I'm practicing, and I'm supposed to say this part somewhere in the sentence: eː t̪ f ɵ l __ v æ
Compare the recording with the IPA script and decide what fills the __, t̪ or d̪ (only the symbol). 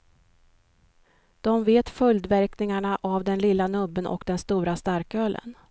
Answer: d̪